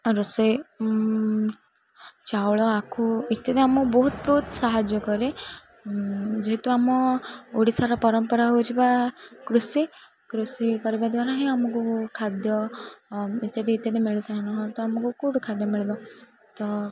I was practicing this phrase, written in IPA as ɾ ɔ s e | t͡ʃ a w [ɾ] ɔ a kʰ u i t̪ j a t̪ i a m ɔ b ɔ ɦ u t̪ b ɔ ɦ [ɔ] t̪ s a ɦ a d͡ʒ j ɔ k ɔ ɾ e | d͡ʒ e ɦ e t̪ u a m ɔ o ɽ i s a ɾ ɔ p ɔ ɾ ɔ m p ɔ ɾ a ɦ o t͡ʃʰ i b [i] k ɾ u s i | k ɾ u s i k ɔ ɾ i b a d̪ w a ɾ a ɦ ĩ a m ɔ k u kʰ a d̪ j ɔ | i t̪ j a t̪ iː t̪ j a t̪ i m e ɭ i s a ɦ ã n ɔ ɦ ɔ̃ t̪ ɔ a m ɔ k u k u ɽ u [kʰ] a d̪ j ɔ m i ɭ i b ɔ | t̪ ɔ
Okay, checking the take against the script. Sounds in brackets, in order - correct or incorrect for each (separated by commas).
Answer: incorrect, incorrect, incorrect, correct